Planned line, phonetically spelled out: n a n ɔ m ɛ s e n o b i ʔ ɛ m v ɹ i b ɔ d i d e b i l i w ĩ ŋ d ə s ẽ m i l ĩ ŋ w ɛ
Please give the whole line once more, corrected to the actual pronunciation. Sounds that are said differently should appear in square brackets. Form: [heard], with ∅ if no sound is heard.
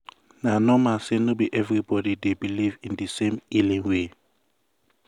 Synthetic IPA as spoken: n a n ɔ m [a] s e n o b i ʔ ɛ [∅] v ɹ i b ɔ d i d e b i l i [v] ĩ [n] d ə s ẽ m i l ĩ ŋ w [e]